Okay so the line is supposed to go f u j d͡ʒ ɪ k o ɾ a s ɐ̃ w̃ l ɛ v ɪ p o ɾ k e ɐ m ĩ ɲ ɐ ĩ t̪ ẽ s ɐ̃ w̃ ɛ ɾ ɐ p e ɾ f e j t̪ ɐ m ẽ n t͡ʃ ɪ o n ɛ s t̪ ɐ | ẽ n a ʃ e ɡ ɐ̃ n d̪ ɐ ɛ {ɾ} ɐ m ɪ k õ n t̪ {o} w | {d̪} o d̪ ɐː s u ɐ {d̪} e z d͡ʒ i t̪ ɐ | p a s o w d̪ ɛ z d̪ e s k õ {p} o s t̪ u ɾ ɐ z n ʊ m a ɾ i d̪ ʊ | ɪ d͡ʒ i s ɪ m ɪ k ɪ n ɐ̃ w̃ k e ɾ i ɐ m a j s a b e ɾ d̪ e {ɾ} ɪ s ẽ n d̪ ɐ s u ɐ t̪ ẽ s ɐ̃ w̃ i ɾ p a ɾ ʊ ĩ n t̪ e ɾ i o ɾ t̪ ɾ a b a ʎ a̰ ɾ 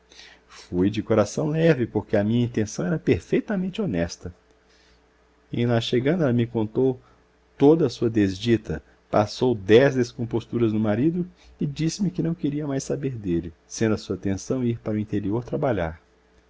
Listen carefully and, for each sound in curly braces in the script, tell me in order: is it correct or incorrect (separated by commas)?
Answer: incorrect, correct, incorrect, correct, correct, incorrect